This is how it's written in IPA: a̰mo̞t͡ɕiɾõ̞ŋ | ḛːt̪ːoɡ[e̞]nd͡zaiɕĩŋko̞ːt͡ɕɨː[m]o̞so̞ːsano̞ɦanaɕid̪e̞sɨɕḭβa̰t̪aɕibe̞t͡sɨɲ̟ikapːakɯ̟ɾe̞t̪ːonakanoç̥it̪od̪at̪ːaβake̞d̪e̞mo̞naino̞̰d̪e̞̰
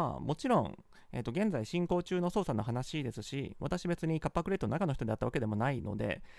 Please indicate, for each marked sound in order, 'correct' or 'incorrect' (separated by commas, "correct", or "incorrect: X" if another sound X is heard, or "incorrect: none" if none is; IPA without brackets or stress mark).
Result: incorrect: ẽ̞, incorrect: n